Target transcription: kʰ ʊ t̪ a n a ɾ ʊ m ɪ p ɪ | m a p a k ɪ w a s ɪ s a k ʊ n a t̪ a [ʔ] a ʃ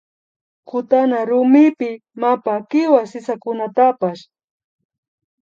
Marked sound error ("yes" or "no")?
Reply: yes